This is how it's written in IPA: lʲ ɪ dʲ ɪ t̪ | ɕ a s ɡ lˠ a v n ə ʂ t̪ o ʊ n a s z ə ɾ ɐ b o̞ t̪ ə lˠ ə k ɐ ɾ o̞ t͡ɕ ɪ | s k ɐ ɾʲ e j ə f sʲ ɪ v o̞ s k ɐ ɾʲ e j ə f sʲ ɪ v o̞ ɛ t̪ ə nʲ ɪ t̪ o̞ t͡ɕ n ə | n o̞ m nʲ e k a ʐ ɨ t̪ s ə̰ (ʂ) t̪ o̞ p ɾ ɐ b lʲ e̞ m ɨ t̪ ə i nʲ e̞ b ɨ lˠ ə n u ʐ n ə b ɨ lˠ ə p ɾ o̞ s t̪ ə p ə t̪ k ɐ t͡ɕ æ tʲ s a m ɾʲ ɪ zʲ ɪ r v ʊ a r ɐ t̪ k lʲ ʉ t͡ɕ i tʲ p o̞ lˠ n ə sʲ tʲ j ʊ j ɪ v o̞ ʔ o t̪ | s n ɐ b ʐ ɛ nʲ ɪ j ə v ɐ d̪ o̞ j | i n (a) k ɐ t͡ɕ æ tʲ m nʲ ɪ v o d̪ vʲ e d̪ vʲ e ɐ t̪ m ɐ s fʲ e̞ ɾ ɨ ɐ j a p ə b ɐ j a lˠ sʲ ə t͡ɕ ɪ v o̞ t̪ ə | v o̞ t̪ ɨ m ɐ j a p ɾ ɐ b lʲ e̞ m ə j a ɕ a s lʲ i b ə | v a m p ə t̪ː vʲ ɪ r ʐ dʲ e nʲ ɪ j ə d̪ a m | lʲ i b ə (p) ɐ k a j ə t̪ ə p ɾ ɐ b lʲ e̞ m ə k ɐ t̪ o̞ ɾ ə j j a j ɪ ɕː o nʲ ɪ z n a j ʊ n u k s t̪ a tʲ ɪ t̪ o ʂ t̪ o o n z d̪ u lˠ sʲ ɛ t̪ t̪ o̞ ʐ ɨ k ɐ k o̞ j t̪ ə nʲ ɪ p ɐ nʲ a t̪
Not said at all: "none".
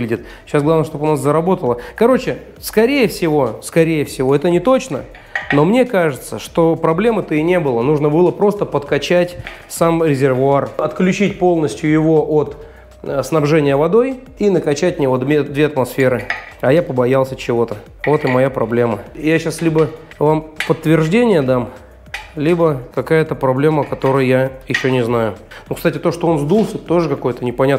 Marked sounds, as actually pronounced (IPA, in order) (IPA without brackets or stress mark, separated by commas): ʂ, ə, k